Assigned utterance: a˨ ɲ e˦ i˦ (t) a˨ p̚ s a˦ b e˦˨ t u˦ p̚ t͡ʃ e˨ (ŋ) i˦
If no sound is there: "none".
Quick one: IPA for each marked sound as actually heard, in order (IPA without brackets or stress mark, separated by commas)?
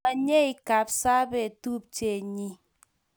k, ɲ